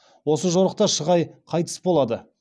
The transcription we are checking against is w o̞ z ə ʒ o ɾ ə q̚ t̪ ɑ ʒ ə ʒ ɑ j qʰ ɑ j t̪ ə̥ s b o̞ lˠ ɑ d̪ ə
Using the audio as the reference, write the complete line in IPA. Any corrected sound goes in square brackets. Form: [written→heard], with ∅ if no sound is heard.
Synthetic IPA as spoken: w o̞ [z→s] ə ʒ o ɾ ə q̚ t̪ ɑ [ʒ→ʃ] ə [ʒ→ʁ] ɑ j qʰ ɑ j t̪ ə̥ s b o̞ lˠ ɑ d̪ ə

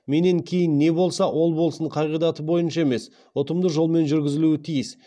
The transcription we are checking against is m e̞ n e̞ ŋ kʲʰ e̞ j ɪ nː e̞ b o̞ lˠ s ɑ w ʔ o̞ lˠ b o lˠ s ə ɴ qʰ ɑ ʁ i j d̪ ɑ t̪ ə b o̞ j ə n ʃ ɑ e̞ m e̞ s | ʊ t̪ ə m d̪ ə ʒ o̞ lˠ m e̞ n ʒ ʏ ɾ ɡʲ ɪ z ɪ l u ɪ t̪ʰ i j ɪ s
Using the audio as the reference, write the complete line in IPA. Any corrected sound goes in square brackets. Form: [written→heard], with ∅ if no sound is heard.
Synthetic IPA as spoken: m e̞ n e̞ ŋ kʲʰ e̞ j ɪ nː e̞ b o̞ lˠ s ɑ w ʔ o̞ lˠ b o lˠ s ə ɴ qʰ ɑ ʁ i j d̪ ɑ t̪ ə b o̞ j ə n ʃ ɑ e̞ m e̞ s | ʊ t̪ ə m d̪ ə ʒ o̞ lˠ m e̞ n ʒ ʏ ɾ ɡʲ ɪ z ɪ l u ɪ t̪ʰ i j ɪ s

